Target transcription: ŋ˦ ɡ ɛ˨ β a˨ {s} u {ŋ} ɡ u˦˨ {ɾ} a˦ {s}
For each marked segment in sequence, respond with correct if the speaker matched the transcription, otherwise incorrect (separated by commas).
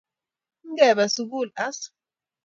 correct, incorrect, incorrect, correct